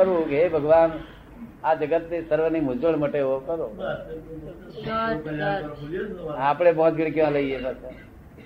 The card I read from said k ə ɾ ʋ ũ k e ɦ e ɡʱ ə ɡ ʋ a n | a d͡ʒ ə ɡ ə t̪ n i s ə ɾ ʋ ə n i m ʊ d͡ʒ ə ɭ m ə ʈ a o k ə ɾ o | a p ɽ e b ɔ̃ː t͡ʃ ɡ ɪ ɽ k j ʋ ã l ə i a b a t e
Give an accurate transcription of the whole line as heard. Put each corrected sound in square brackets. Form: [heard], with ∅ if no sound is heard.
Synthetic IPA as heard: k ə ɾ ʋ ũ k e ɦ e [bʱ] ə ɡ ʋ a n | a d͡ʒ ə ɡ ə t̪ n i s ə ɾ ʋ ə n i m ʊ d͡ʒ ə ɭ m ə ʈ [e] o k ə ɾ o | a p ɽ e b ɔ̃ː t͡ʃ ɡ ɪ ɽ k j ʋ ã l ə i [e] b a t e